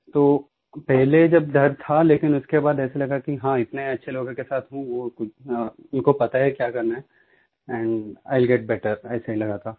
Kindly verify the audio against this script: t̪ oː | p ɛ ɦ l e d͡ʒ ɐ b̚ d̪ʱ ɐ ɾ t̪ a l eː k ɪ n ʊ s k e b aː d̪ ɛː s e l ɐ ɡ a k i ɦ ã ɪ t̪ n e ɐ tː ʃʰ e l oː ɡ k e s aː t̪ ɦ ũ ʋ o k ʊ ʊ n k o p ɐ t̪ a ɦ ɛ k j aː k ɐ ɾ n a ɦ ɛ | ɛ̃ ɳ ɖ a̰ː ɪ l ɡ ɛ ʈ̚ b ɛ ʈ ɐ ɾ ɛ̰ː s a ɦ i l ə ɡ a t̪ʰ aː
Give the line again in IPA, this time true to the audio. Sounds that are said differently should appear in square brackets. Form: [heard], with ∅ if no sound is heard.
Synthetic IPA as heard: t̪ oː | p ɛ ɦ l e d͡ʒ ɐ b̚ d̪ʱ ɐ ɾ [t̪ʰ] a l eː k ɪ n ʊ s k e b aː d̪ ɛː s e l ɐ ɡ a k i ɦ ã ɪ t̪ n e ɐ tː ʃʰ e l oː ɡ k e s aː t̪ ɦ ũ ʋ o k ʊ ʊ n k o p ɐ t̪ a ɦ ɛ k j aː k ɐ ɾ n a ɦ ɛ | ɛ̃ ɳ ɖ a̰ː ɪ l ɡ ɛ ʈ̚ b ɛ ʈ [ə] ɾ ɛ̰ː s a ɦ i l [ɐ] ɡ a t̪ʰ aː